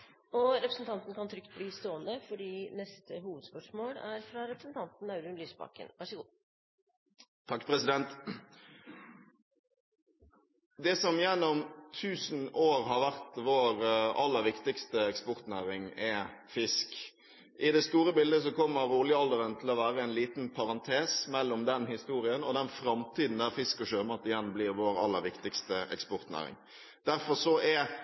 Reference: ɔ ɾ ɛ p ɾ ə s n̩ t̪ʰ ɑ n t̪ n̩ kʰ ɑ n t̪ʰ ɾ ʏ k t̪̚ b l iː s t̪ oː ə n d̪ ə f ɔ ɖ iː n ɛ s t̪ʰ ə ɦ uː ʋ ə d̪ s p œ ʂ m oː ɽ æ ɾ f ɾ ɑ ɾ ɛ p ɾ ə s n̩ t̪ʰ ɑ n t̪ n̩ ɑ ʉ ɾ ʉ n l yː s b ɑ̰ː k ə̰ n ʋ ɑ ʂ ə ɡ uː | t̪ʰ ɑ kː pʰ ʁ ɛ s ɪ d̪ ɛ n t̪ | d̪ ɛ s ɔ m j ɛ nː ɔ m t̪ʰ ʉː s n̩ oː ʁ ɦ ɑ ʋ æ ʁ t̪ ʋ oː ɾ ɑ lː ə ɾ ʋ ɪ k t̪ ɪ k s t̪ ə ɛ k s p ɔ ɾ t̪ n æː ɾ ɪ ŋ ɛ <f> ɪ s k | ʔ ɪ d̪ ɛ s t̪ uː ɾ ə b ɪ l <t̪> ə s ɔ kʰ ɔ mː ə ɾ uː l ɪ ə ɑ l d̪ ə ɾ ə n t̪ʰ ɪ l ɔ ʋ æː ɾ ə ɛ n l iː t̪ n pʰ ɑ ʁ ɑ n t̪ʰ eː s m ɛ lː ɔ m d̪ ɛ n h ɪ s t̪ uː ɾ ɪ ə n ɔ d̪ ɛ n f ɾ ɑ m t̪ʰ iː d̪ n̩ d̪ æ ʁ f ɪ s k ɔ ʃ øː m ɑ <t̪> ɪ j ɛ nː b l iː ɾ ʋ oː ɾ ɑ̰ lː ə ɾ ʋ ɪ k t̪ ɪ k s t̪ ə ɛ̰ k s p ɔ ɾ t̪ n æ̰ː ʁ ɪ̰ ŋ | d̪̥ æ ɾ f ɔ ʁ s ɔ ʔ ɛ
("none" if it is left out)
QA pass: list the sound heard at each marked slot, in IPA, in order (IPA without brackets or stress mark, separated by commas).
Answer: f, d̪, t̪